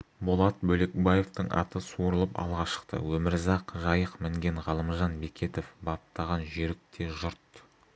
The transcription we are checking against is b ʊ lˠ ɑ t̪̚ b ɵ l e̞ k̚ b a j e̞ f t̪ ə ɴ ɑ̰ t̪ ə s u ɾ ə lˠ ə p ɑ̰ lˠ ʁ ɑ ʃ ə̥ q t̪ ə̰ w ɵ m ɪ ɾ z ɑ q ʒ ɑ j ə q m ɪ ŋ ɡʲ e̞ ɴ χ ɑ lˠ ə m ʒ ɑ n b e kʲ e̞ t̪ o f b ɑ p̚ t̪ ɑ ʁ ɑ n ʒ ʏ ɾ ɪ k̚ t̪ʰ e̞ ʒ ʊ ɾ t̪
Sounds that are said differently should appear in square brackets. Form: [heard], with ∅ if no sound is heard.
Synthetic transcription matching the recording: b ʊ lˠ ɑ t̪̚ b ɵ l e̞ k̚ b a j e̞ f t̪ ə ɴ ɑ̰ t̪ ə s u ɾ ə lˠ ə p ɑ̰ lˠ ʁ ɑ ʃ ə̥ q t̪ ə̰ w ɵ m ɪ ɾ z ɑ q ʒ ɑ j ə q m ɪ ŋ ɡʲ e̞ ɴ [ʁ] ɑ lˠ ə m ʒ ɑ n b e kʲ e̞ t̪ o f b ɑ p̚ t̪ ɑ ʁ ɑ n ʒ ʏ ɾ ɪ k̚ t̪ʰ e̞ ʒ ʊ ɾ t̪